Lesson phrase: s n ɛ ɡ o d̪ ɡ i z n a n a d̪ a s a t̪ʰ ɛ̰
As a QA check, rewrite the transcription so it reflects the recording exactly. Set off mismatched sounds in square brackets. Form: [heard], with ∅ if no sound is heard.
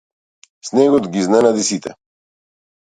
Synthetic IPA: s n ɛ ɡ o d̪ ɡ i z n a n a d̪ [i] s [i] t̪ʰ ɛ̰